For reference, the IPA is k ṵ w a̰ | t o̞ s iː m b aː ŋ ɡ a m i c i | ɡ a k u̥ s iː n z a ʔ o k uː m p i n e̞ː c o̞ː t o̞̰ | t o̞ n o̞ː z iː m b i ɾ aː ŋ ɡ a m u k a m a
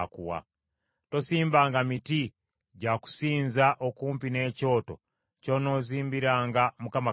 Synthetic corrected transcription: k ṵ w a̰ | t o̞ s iː m b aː ŋ ɡ a m i t i | ɟ a k u̥ s iː n z a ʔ o k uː m p i n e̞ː c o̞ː t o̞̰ | c o̞ n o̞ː z iː m b i ɾ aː ŋ ɡ a m u k a m a